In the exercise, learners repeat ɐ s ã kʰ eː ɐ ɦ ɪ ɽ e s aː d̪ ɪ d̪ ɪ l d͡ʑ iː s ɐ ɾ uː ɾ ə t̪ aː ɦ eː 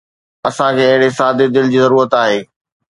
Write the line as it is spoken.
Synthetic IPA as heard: ɐ s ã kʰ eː ɐ ɦ ɪ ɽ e s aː d̪ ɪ d̪ ɪ l d͡ʑ iː z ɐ ɾ uː ɾ ə t̪ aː ɦ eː